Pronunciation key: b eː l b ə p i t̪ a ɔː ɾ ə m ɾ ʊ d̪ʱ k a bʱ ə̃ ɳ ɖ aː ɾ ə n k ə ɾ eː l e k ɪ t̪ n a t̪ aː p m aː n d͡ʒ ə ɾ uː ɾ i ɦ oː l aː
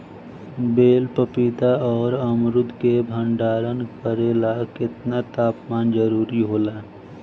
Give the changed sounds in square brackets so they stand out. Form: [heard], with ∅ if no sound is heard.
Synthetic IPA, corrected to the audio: b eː l [p] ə p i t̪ a ɔː ɾ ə m ɾ ʊ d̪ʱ k [e] bʱ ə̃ ɳ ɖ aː ɾ ə n k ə ɾ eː l [a] k ɪ t̪ n a t̪ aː p m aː n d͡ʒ ə ɾ uː ɾ i ɦ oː l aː